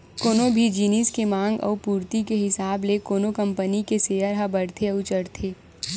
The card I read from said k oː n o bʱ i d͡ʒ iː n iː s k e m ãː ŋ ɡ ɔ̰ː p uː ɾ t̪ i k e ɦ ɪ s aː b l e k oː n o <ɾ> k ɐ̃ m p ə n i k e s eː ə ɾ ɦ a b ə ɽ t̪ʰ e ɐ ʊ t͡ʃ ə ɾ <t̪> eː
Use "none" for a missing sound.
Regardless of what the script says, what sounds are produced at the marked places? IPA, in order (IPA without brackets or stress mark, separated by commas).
none, t̪ʰ